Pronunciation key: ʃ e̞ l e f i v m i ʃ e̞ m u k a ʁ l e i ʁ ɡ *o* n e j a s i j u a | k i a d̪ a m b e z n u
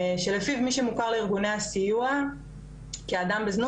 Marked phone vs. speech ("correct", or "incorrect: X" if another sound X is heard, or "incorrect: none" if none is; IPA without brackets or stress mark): incorrect: u